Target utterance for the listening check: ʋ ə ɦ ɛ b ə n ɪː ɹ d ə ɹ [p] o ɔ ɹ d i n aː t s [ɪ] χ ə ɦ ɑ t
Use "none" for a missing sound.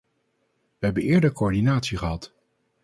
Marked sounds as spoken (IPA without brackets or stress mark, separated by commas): k, i